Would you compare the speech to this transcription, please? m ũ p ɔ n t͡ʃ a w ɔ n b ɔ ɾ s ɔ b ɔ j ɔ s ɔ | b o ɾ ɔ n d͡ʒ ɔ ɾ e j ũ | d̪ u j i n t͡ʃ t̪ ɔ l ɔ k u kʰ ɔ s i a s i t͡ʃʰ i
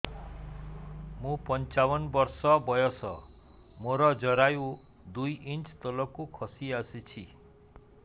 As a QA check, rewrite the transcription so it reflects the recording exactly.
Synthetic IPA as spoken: m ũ p ɔ n t͡ʃ a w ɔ n b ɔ ɾ s ɔ b ɔ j ɔ s ɔ | m o ɾ ɔ d͡ʒ ɔ ɾ a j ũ | d̪ u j i n t͡ʃ t̪ ɔ l ɔ k u kʰ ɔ s i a s i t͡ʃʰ i